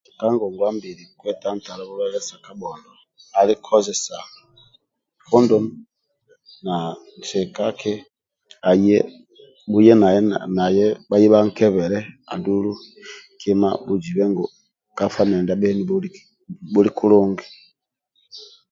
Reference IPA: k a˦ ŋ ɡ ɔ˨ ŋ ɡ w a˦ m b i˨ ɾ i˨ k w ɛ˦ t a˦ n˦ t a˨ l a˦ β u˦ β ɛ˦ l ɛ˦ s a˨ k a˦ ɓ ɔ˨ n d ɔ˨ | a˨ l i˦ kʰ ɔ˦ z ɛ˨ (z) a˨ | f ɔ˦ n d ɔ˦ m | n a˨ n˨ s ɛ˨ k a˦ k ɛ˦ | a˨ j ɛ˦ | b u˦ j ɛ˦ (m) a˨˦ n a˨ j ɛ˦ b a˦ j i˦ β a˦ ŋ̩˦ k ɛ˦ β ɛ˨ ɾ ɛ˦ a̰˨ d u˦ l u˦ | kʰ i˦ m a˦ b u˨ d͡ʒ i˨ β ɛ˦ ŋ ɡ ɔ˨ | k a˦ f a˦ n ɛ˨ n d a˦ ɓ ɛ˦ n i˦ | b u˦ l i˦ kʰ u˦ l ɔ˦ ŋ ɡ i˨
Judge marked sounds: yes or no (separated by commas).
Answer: no, no